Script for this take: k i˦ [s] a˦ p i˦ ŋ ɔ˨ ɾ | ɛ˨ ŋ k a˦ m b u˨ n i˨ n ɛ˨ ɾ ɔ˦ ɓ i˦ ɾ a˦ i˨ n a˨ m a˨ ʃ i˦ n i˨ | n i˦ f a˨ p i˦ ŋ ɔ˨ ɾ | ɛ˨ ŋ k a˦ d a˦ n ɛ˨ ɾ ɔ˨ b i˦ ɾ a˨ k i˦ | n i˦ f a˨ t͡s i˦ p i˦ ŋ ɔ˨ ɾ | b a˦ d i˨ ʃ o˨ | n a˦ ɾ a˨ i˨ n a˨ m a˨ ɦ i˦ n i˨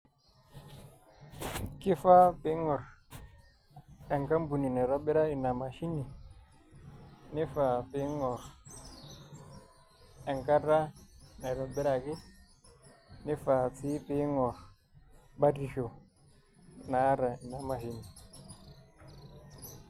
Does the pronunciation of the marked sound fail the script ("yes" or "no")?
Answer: yes